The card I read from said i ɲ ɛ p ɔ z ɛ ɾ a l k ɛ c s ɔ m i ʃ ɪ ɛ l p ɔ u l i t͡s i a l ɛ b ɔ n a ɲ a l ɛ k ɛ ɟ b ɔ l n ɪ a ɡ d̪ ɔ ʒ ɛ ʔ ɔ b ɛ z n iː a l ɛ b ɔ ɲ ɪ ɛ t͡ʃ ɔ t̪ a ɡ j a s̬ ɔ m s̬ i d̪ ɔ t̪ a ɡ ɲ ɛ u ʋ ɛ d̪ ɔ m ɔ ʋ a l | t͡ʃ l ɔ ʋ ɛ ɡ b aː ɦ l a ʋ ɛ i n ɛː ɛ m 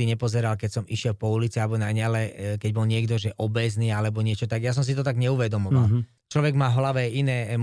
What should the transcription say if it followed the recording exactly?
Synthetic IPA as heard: i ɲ ɛ p ɔ z ɛ ɾ a l k ɛ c s ɔ m i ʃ ɪ ɛ l p ɔ u l i t͡s i a l ɛ b ɔ n a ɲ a l ɛ k ɛ ɟ b ɔ l ɲ ɪ ɛ ɡ d̪ ɔ ʒ ɛ ʔ ɔ b ɛ z n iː a l ɛ b ɔ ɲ ɪ ɛ t͡ʃ ɔ t̪ a ɡ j a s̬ ɔ m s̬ i t̪ ɔ t̪ a ɡ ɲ ɛ u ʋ ɛ d̪ ɔ m ɔ ʋ a l | t͡ʃ l ɔ ʋ ɛ ɡ m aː ɦ l a ʋ ɛ i n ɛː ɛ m